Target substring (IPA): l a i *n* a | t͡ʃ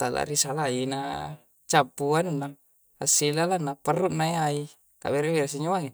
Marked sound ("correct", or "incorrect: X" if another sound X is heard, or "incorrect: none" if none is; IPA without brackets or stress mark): correct